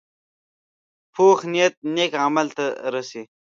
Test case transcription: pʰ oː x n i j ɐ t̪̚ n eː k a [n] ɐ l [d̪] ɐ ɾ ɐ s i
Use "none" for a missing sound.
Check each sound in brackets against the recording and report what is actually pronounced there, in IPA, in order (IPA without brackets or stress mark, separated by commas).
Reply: m, t̪